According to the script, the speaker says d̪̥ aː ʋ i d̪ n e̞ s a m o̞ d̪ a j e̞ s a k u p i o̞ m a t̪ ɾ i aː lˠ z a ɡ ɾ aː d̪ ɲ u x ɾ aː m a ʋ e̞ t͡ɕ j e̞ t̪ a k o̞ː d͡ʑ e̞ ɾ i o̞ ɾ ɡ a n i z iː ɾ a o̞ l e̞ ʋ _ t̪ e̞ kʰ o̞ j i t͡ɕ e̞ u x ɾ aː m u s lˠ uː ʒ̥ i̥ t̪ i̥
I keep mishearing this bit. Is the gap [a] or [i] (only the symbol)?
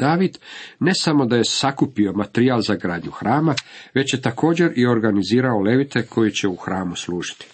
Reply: i